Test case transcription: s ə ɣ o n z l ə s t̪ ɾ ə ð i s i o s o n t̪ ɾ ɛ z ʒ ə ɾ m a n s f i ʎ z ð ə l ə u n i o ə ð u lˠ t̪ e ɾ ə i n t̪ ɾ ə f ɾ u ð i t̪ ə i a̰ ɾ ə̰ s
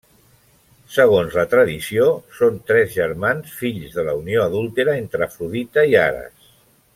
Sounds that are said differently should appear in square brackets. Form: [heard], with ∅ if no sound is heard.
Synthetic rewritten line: s ə ɣ o n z l ə [∅] t̪ ɾ ə ð i s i o s o n t̪ ɾ ɛ z ʒ ə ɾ m a n s f i ʎ z ð ə l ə u n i o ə ð u lˠ t̪ e ɾ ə [e] n t̪ ɾ ə f ɾ u ð i t̪ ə i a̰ ɾ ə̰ s